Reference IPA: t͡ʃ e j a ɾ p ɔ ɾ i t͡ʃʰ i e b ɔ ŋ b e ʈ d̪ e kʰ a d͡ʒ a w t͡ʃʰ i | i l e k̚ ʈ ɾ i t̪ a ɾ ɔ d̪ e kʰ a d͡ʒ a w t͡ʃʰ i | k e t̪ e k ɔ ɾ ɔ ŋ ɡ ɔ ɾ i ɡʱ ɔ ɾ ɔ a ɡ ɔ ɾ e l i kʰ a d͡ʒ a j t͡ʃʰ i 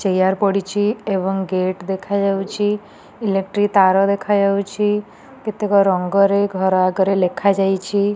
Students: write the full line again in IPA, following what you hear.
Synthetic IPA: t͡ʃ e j a ɾ p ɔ ɽ i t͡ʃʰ i e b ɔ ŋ ɡ e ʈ d̪ e kʰ a d͡ʒ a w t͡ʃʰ i | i l e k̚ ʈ ɾ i t̪ a ɾ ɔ d̪ e kʰ a d͡ʒ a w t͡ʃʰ i | k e t̪ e k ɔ ɾ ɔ ŋ ɡ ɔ ɾ e ɡʱ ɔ ɾ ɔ a ɡ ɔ ɾ e l e kʰ a d͡ʒ a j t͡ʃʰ i